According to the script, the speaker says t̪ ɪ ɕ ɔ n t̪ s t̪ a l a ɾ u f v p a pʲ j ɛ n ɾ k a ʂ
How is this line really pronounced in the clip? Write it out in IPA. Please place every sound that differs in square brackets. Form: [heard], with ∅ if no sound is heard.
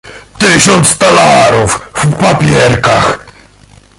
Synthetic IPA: t̪ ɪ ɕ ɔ n t̪ s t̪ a l a ɾ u f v p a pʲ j ɛ [∅] ɾ k a [x]